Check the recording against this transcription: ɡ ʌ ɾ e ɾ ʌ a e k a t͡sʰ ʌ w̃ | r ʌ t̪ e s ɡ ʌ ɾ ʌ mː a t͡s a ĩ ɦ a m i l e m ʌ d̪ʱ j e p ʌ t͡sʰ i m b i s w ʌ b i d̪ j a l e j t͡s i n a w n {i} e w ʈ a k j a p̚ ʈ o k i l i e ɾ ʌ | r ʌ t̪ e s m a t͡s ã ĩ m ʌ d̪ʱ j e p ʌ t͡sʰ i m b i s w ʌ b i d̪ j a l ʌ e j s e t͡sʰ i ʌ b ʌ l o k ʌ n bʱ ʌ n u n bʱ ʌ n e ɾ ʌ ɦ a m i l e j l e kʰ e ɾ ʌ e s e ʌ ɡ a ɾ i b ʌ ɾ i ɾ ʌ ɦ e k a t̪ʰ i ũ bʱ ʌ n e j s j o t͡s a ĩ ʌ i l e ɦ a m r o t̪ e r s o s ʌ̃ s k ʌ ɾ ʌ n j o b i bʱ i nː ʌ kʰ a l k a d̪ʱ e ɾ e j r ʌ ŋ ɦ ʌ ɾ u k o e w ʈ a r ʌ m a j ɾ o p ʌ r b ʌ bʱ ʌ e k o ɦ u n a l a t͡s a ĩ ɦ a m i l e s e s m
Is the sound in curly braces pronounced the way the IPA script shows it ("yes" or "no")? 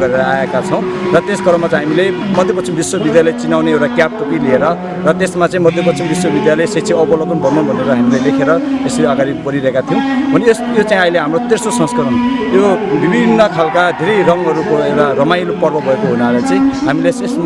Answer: no